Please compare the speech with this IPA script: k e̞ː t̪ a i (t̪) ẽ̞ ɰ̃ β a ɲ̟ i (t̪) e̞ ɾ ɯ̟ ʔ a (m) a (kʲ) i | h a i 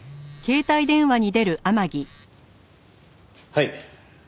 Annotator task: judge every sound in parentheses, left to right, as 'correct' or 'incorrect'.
incorrect: d̪, incorrect: d̪, correct, incorrect: ɡʲ

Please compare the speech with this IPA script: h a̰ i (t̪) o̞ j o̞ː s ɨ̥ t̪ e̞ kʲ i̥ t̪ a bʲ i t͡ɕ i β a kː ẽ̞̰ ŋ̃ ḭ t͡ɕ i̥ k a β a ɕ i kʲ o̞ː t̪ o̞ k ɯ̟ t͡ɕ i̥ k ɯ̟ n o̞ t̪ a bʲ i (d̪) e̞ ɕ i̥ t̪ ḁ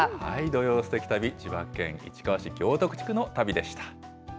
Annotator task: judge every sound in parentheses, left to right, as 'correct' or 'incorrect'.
incorrect: d̪, correct

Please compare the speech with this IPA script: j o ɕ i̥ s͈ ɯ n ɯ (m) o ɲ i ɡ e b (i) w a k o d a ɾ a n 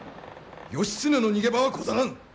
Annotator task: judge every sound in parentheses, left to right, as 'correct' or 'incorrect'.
incorrect: n, incorrect: a

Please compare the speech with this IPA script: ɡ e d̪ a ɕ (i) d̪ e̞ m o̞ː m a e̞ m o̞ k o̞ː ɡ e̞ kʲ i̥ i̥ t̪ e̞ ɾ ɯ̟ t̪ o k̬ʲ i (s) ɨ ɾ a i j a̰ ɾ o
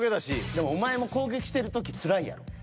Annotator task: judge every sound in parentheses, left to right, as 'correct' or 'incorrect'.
correct, incorrect: t͡s

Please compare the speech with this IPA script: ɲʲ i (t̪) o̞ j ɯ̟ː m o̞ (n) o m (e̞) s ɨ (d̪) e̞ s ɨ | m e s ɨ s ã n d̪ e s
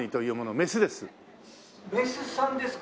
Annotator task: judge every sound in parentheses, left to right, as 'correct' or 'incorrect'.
correct, correct, correct, correct

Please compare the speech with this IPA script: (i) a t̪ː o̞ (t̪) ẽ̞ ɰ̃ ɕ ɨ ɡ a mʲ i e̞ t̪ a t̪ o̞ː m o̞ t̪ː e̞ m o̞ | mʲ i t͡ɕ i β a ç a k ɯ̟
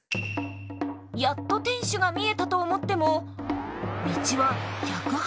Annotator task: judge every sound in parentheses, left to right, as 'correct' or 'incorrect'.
incorrect: j, correct

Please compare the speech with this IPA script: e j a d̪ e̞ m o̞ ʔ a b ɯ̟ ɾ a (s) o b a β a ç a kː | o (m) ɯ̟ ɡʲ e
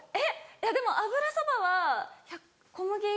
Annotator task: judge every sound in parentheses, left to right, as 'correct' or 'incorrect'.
correct, correct

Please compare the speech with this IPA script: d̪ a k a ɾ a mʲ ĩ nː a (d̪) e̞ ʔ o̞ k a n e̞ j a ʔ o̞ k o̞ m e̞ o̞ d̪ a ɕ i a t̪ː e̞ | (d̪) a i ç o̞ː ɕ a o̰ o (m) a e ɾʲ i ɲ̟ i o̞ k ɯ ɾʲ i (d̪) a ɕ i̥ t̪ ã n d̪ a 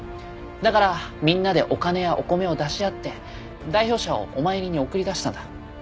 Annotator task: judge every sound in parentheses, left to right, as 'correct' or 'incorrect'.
correct, correct, correct, correct

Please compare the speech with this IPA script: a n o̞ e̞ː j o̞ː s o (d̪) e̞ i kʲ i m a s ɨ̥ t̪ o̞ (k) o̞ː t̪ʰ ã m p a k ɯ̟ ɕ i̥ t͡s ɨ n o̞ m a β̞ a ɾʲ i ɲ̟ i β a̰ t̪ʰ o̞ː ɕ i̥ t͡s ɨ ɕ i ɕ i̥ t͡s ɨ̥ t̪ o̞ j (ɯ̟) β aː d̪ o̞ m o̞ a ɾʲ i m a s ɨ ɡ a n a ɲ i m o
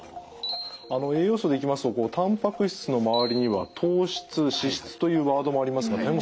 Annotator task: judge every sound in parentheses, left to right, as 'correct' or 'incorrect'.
correct, correct, incorrect: ɯ̟ː

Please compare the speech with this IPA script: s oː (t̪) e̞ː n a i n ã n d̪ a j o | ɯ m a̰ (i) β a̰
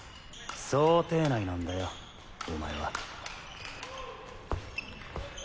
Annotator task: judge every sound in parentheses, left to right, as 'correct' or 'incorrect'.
correct, incorrect: e

